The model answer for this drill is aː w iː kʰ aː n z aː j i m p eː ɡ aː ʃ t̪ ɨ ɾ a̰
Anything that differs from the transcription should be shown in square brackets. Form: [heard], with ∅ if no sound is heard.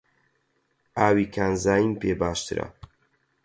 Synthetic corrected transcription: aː w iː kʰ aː n z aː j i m p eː [b] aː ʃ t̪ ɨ ɾ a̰